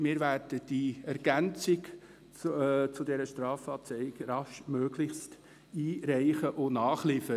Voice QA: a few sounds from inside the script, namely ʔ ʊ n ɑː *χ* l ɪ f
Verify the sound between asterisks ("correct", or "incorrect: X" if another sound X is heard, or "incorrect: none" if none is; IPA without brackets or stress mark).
correct